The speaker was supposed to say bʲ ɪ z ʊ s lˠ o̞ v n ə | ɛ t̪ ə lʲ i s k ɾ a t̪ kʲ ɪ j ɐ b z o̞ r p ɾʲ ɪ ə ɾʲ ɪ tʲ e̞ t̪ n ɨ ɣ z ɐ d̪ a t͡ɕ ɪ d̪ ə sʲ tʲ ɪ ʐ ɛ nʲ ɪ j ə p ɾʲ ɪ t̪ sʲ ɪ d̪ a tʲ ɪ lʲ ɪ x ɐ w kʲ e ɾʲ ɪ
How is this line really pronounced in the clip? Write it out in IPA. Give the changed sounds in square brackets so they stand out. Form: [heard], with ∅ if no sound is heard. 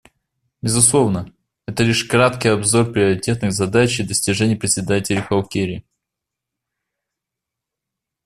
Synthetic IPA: bʲ ɪ z ʊ s lˠ o̞ v n ə | ɛ t̪ ə lʲ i [ʂ] k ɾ a t̪ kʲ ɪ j ɐ b z o̞ r p ɾʲ ɪ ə ɾʲ ɪ tʲ e̞ t̪ n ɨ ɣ z ɐ d̪ a t͡ɕ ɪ d̪ ə sʲ tʲ ɪ ʐ ɛ nʲ ɪ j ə p ɾʲ ɪ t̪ sʲ ɪ d̪ a tʲ ɪ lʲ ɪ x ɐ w kʲ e ɾʲ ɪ